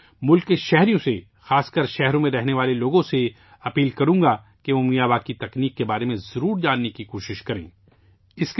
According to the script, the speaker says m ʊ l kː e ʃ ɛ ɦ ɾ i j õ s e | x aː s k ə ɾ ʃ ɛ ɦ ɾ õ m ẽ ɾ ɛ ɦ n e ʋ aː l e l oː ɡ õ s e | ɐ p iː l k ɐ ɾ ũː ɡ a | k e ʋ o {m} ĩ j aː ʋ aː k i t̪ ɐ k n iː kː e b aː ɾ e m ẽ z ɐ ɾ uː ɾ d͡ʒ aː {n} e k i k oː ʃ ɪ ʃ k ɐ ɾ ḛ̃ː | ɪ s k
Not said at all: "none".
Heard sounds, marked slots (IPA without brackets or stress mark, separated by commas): m, nː